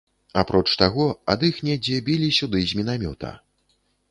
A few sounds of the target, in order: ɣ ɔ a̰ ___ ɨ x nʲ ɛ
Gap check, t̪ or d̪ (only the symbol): d̪